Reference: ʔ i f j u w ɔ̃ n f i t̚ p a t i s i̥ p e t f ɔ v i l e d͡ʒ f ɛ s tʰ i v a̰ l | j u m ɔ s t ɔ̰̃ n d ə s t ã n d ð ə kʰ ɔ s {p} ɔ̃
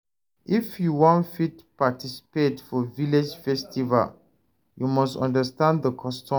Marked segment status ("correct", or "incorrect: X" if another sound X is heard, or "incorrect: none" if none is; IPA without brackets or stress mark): incorrect: t